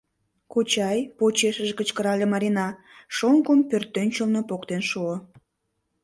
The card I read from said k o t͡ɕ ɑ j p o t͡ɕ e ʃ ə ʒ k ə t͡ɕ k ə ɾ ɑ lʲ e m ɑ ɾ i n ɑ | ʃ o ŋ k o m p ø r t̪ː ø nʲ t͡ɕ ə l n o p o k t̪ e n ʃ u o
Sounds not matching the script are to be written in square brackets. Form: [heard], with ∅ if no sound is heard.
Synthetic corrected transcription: k o t͡ɕ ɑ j p o t͡ɕ e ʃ ə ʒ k ə t͡ɕ k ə ɾ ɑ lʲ e m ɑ ɾ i n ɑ | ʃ o ŋ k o m p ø r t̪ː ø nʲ t͡ɕ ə l n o p o k t̪ e n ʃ u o